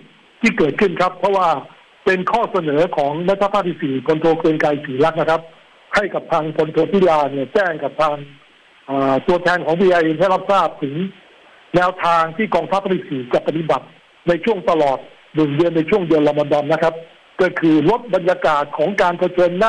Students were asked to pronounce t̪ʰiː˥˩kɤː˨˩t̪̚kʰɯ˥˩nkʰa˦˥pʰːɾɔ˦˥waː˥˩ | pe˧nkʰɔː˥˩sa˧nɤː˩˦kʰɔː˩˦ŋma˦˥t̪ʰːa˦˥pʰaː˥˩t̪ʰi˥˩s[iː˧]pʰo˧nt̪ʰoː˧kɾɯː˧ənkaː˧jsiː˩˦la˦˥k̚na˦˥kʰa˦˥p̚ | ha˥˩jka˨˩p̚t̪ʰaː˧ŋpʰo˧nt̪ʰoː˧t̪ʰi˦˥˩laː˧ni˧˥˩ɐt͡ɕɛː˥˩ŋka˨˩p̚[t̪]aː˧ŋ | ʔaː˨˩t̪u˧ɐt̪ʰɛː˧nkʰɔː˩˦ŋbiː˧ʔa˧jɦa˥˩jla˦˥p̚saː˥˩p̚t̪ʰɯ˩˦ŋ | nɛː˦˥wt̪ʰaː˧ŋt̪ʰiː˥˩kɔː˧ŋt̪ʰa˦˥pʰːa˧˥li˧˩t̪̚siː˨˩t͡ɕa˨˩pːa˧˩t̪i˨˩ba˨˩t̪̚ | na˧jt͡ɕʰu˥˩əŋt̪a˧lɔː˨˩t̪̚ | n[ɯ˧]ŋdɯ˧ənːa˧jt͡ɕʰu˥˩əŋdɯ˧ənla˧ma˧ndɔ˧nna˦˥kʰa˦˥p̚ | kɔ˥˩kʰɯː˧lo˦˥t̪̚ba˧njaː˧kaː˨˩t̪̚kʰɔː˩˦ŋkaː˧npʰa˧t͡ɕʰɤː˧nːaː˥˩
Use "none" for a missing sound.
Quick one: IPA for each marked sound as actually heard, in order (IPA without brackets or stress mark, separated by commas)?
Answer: iː˨˩, t̪ʰ, ɯ˨˩